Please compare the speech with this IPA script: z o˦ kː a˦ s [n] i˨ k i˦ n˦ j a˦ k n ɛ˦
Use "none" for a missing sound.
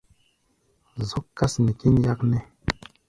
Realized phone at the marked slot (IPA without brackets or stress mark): n